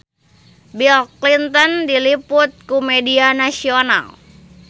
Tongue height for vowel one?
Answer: high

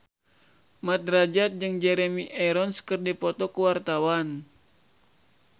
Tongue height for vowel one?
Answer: low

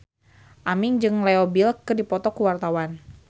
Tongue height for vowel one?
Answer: low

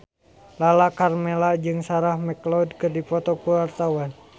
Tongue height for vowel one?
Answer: low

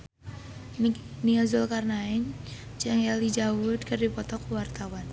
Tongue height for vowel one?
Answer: high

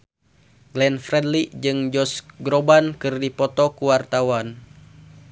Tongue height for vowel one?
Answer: mid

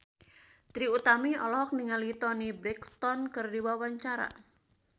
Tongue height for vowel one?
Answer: high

